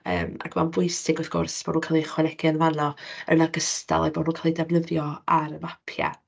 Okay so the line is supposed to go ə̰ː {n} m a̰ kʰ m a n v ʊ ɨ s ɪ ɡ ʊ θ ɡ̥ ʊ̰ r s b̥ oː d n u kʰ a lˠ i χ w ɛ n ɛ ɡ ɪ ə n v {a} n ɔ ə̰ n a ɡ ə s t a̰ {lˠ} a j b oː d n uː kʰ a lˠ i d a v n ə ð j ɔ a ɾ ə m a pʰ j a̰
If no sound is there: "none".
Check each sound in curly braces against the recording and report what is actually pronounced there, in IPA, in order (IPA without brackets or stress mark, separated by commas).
none, a, lˠ